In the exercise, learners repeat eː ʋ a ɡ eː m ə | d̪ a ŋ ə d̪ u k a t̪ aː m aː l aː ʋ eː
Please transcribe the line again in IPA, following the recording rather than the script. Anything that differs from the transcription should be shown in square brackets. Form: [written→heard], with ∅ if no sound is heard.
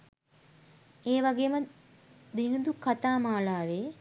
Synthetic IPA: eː ʋ a ɡ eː m ə | d̪ [a→i] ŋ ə d̪ u k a t̪ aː m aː l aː ʋ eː